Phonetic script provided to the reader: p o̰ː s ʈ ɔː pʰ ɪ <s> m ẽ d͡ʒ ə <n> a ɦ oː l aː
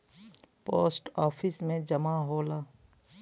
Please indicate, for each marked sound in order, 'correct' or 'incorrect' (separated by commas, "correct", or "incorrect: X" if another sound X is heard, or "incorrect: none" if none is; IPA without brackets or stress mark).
correct, incorrect: m